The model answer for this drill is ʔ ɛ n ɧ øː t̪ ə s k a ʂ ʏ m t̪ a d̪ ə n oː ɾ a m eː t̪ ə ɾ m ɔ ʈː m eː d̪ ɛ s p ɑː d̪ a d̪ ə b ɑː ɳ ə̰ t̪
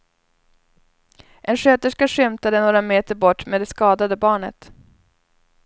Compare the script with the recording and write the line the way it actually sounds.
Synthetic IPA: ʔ ɛ n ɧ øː t̪ ə ʂ k a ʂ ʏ m t̪ a d̪ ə n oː ɾ a m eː t̪ ə ɾ b ɔ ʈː m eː d̪ ɛ s k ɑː d̪ a d̪ ə b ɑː ɳ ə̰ t̪